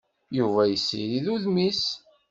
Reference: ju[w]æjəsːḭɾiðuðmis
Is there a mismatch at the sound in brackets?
yes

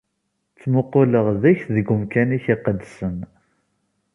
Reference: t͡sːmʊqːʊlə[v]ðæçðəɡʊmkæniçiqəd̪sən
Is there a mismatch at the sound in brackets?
yes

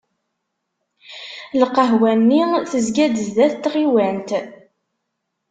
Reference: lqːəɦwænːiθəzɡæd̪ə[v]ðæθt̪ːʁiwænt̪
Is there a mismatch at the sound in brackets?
yes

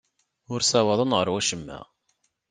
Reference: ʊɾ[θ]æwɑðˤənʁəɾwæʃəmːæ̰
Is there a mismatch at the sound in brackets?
yes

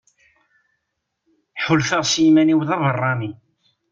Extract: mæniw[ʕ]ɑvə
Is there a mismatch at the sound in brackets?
yes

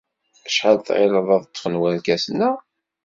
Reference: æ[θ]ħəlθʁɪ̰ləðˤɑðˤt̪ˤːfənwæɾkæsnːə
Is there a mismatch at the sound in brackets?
yes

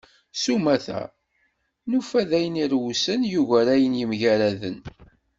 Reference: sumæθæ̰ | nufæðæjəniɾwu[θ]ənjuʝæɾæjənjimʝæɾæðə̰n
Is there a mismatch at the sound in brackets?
yes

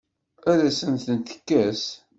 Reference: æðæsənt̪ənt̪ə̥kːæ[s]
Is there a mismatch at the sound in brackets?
no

